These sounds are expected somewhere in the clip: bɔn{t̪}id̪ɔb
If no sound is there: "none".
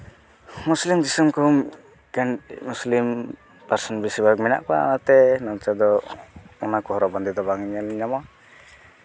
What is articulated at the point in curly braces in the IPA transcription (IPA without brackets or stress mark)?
d̪